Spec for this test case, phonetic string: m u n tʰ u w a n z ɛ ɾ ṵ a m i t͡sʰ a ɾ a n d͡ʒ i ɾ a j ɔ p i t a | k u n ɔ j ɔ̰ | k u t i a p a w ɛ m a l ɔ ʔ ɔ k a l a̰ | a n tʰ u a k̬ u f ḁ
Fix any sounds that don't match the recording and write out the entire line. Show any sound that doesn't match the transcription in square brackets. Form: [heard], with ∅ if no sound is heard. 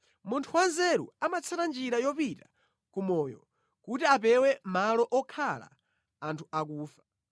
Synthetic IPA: m u n tʰ u w a n z ɛ ɾ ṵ a m [a] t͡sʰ a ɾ a n d͡ʒ i ɾ a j ɔ p i t a | k u [m] ɔ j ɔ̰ | k u t i a p [ɛ] w ɛ m a l ɔ ʔ ɔ [kʰ] a l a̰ | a n tʰ u a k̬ [uː] f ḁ